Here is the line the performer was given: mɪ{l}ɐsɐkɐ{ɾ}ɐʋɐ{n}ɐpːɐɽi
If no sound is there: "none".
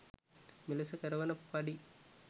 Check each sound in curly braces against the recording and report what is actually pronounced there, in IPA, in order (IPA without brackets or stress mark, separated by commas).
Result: l, ɾ, n